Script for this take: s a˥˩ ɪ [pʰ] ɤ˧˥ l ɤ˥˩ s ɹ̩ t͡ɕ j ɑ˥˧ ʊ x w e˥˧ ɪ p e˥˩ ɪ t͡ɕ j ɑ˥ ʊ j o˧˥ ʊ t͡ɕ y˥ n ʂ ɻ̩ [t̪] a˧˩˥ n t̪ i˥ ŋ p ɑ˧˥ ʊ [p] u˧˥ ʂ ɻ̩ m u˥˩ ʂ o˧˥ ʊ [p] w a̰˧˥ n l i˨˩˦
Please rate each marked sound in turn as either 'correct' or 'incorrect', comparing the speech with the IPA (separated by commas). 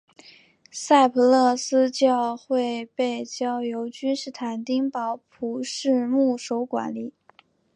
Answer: correct, incorrect, incorrect, incorrect